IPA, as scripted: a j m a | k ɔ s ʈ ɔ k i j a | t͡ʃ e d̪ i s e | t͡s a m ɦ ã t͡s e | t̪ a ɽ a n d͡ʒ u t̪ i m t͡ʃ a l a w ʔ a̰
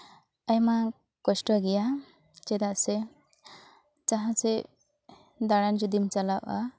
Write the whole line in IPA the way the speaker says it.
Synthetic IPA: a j m a | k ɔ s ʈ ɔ ɡ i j a | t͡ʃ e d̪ a s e | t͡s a ɦ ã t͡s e | d̪ a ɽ a n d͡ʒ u d̪ i m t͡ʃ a l a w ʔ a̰

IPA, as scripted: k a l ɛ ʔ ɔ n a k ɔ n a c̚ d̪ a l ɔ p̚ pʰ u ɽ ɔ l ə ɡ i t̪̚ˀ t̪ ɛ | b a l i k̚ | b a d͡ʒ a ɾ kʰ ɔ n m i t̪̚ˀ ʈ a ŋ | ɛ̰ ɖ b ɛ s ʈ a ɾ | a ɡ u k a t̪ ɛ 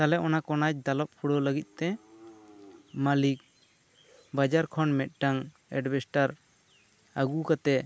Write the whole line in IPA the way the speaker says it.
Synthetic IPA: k a l ɛ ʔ ɔ n a k ɔ n a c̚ d̪ a l ɔ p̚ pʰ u ɽ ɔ l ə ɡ i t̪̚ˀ t̪ ɛ | m a l i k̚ | b a d͡ʒ a ɾ kʰ ɔ n m ɛ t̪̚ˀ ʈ a ŋ | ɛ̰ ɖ b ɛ s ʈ a ɾ | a ɡ u k a t̪ ɛ

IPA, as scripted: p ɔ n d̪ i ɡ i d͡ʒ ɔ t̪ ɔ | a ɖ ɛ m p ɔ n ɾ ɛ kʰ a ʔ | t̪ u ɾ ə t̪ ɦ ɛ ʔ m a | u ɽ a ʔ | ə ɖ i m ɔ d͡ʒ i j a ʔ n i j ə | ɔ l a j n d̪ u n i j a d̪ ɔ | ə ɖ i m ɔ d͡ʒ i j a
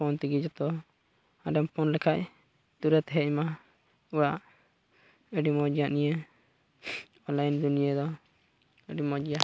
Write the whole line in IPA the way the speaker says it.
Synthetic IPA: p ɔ n t̪ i ɡ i d͡ʒ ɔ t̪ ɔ | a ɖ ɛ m p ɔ n l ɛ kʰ a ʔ | t̪ u ɾ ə t̪ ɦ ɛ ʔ m a | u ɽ a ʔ | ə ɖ i m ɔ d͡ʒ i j a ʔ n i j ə | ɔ l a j n d̪ u n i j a d̪ ɔ | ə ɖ i m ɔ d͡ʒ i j a

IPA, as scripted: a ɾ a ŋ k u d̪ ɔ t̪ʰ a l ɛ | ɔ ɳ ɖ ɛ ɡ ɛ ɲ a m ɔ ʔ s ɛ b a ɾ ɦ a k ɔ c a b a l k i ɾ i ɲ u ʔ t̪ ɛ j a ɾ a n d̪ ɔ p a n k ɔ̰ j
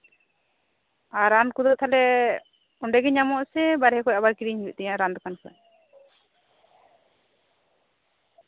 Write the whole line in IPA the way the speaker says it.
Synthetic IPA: a ɾ a n k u d̪ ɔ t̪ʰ a l ɛ | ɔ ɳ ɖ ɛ ɡ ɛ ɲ a m ɔ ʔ s ɛ b a ɾ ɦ ɛ k ɔ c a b a ɾ k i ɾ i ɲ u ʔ t̪ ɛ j a ɾ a n d̪ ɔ k a n k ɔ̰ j

